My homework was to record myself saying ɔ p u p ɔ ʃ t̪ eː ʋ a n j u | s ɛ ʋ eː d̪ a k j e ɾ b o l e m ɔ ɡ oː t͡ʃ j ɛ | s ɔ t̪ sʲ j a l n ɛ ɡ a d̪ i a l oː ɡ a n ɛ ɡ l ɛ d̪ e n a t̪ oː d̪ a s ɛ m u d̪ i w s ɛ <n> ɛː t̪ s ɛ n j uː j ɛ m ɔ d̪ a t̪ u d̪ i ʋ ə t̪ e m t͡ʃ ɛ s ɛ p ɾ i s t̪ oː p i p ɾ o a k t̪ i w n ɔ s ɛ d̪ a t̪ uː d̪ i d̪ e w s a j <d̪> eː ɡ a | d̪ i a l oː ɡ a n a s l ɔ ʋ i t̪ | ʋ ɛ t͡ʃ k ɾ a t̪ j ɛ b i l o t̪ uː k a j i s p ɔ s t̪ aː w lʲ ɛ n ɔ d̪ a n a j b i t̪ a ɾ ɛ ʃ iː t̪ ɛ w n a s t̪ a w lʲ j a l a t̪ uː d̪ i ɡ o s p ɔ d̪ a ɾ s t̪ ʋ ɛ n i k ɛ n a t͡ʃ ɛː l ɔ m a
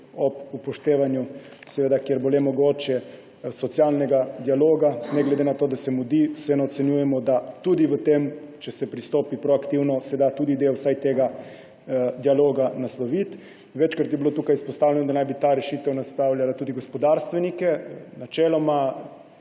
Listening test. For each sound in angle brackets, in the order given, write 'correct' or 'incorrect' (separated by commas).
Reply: correct, incorrect